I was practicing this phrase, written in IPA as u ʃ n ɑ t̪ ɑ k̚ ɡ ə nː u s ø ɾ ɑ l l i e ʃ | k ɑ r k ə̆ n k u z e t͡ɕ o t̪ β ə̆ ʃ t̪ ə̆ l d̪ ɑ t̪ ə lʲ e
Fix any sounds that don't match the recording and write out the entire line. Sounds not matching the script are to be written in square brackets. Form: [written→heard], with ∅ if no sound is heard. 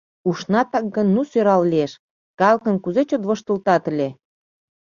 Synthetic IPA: u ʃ n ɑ t̪ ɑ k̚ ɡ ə nː u s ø ɾ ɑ l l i e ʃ | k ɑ [r→l] k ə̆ n k u z e t͡ɕ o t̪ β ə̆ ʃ t̪ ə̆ l [d̪→t̪] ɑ t̪ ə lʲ e

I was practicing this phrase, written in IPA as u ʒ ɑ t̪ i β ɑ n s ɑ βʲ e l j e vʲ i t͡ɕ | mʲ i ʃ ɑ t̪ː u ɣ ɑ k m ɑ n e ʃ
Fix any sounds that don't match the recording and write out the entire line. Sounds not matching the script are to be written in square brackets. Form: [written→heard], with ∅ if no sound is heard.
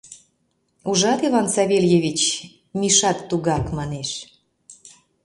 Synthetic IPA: u ʒ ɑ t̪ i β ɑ n s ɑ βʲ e l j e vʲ i t͡ɕ | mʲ i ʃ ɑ t̪ː u ɣ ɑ k m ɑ n e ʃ

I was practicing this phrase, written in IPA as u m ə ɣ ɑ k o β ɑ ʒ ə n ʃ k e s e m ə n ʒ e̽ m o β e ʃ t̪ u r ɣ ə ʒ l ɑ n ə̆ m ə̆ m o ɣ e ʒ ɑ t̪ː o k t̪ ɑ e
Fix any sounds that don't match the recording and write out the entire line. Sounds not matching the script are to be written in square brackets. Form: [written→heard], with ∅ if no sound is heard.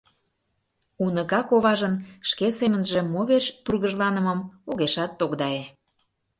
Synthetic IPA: u [m→n] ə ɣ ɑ k o β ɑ ʒ ə n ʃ k e s e m ə n ʒ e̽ m o β e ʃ t̪ u r ɣ ə ʒ l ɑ n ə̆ m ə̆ m o ɣ e [ʒ→ʃ] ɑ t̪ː o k [t̪→d̪] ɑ e

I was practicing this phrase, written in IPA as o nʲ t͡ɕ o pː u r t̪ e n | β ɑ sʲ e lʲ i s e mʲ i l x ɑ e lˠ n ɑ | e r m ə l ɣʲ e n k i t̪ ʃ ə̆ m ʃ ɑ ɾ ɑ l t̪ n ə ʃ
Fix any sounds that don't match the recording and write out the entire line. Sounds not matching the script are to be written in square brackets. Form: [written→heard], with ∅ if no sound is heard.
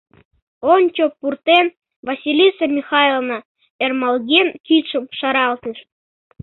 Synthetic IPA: o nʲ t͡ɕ o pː u r t̪ e n | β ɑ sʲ [e→i] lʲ i s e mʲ i [l→∅] x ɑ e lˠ n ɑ | e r m [ə→ɑ] l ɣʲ e n k i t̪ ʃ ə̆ m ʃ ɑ ɾ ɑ l t̪ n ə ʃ

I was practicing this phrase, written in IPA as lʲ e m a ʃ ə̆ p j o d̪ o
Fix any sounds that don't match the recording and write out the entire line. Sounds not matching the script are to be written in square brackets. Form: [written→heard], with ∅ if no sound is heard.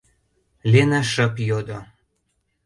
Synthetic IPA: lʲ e [m→n] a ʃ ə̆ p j o d̪ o

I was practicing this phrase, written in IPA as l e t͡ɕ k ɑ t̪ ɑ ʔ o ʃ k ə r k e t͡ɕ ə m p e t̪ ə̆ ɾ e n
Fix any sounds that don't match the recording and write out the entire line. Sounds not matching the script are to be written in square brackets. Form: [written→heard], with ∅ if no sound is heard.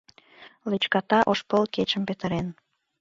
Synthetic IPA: l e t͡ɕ k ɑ t̪ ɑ ʔ o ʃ [k→p] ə [r→l] k e t͡ɕ ə m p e t̪ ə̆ ɾ e n

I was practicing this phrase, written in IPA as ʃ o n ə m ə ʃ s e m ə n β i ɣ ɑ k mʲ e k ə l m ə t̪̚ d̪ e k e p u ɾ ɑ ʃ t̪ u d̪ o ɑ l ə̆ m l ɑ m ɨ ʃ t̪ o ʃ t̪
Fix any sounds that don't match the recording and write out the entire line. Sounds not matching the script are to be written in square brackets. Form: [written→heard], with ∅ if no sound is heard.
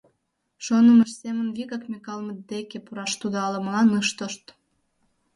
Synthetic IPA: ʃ o n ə m ə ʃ s e m ə n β i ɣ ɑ k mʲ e k [ə→ɑ] l m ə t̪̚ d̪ e k e p u ɾ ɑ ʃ t̪ u d̪ o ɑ l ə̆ m l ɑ [m→n] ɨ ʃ t̪ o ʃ t̪

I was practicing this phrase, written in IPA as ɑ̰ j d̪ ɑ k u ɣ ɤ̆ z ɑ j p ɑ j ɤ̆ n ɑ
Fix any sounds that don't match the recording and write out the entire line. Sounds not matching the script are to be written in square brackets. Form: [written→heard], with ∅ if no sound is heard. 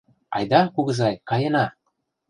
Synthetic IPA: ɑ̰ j d̪ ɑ k u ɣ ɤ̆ z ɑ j [p→k] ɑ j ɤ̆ n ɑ

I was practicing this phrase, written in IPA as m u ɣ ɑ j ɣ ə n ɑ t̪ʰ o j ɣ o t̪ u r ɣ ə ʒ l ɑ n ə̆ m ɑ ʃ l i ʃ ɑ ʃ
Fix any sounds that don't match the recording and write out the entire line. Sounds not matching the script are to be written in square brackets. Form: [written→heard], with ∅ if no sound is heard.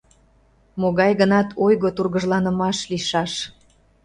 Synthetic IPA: m [u→o] ɣ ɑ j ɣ ə n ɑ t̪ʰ o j ɣ o t̪ u r ɣ ə ʒ l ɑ n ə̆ m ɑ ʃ l i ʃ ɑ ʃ

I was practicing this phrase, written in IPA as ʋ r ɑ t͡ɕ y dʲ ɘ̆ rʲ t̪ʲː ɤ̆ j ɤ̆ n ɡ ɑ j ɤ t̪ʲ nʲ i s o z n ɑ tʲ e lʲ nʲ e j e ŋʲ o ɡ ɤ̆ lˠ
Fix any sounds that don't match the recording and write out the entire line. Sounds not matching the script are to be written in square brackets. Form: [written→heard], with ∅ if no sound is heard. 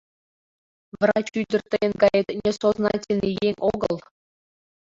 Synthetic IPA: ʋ r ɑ t͡ɕ y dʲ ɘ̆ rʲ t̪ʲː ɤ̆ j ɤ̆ n ɡ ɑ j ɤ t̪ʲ nʲ [i→e] s o z n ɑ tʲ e lʲ nʲ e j e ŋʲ o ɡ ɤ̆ lˠ

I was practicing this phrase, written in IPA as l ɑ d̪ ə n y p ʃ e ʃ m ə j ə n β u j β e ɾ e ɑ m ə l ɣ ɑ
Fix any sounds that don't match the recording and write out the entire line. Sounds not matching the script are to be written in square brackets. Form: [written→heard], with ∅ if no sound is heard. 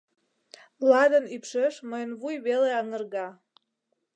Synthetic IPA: l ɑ d̪ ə n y p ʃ e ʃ m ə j ə n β u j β e [ɾ→l] e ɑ [m→ŋ] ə [l→r] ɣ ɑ

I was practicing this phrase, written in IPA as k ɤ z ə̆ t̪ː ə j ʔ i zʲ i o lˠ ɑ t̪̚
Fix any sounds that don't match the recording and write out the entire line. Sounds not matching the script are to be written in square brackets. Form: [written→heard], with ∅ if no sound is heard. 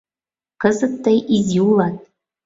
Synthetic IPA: k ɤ z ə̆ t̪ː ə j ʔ i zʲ i [o→u] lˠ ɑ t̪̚

